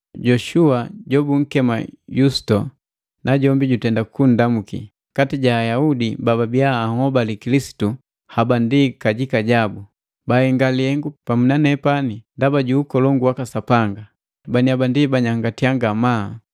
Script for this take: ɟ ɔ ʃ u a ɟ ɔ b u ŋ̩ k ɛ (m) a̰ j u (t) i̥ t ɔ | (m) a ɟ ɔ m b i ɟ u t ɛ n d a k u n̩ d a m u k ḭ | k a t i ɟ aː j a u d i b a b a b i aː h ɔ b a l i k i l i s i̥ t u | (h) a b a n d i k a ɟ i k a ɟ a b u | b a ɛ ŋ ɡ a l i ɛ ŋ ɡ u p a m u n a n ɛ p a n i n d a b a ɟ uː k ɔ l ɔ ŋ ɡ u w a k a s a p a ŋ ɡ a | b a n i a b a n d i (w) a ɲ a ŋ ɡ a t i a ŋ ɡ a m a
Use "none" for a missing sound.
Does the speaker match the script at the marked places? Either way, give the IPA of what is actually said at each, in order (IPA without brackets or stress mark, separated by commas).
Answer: m, s, n, h, b